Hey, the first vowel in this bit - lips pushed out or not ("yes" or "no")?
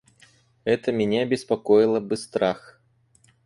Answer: no